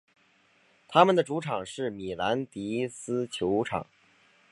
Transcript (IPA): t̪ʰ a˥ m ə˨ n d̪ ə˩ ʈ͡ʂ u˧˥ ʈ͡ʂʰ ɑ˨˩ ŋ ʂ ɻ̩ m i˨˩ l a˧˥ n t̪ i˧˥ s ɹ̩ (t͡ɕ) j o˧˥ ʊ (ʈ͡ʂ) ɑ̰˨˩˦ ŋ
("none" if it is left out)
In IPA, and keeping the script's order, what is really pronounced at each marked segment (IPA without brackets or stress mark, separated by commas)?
t͡ɕʰ, ʈ͡ʂʰ